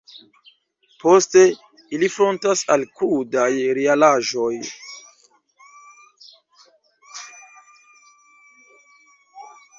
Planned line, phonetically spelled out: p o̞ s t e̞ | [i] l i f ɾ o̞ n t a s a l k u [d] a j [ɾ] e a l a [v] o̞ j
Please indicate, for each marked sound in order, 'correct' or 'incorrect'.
correct, correct, correct, incorrect: ʒ

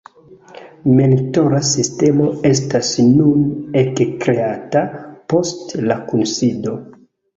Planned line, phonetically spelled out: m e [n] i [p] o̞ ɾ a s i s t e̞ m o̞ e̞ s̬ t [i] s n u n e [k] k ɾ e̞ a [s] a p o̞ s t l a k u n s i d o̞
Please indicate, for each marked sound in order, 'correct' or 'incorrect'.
correct, incorrect: t, incorrect: a, correct, incorrect: t

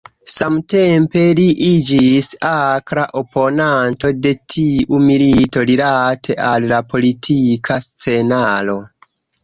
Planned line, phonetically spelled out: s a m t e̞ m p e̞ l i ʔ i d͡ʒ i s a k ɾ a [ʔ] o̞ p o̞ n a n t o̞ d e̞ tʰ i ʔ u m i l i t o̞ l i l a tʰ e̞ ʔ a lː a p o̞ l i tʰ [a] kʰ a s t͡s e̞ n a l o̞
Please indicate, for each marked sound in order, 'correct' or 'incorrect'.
correct, incorrect: i

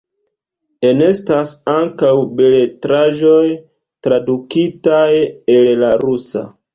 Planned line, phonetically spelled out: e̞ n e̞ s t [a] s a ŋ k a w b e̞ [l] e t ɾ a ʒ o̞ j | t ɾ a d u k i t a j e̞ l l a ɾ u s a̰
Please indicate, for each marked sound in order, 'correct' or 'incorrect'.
correct, correct

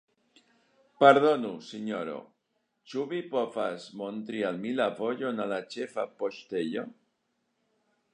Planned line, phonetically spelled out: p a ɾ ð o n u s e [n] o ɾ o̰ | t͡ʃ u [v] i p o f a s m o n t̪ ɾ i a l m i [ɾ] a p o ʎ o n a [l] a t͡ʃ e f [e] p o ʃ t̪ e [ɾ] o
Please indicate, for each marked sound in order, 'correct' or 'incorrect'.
incorrect: ɲ, incorrect: β, incorrect: l, correct, incorrect: a, incorrect: ʎ

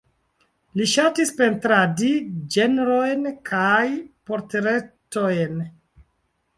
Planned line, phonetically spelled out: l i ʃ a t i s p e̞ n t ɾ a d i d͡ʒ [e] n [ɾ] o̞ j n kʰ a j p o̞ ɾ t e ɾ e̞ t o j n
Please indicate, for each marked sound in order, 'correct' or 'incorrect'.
correct, correct

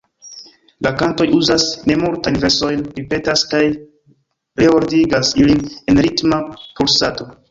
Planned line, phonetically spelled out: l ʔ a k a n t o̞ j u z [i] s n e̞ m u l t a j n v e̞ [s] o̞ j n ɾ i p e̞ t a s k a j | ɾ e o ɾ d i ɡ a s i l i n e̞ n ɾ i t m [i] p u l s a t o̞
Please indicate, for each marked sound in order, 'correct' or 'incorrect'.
incorrect: a, correct, incorrect: a

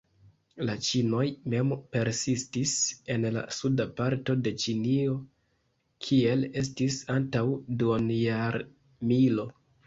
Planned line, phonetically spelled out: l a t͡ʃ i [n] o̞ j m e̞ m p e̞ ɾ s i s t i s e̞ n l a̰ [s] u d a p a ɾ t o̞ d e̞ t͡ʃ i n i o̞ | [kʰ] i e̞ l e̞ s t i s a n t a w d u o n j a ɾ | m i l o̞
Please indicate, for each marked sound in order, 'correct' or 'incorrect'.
correct, correct, correct

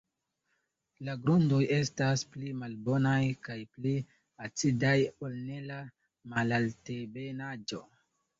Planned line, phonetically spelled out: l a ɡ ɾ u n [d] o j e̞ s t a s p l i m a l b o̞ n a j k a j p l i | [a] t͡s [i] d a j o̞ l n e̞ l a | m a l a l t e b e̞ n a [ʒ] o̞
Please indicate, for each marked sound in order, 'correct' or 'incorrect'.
correct, correct, correct, incorrect: d͡ʒ

